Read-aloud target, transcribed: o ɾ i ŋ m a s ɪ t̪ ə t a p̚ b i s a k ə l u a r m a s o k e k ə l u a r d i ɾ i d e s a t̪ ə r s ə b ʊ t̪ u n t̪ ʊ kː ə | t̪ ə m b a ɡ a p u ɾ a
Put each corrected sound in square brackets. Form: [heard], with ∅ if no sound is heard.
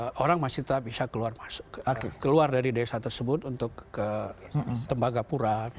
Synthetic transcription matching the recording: o ɾ [a] ŋ m a s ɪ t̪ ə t a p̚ b i s a k ə l u a r m a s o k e k ə l u a r d [a] ɾ i d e s a t̪ ə r s ə b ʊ t̪ u n t̪ ʊ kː ə | t̪ ə m b a ɡ a p u ɾ a